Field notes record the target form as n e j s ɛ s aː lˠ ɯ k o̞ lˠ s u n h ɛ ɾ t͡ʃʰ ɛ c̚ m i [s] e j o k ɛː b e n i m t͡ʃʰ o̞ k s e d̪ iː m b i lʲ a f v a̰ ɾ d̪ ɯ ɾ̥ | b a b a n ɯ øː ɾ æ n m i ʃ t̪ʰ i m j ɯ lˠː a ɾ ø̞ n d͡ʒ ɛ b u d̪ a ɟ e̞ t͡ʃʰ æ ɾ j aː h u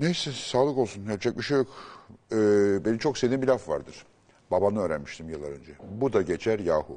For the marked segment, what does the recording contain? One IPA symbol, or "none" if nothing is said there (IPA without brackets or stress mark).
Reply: ʃ